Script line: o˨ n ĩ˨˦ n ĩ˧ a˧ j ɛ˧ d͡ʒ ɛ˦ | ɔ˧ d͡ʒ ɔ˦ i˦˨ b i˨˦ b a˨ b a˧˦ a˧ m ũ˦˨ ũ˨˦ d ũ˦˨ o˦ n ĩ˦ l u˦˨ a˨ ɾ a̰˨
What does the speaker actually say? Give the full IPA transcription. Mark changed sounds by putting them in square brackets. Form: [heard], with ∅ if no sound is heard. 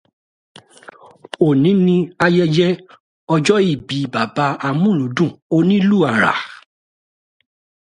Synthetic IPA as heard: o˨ n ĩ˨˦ n ĩ˧ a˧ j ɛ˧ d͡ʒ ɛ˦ | ɔ˧ d͡ʒ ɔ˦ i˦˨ b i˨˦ b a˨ b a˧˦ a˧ m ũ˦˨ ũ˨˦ d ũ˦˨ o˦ n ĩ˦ l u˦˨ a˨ ɾ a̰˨